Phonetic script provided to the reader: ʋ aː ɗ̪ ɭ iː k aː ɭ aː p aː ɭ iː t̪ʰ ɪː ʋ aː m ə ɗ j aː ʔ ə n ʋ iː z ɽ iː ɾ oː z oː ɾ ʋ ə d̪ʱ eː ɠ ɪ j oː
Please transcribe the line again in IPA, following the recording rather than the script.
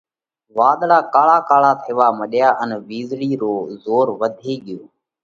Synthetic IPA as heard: ʋ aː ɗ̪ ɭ aː k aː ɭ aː k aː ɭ aː t̪ʰ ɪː ʋ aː m ə ɗ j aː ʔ ə n ʋ iː z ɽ iː ɾ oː z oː ɾ ʋ ə d̪ʱ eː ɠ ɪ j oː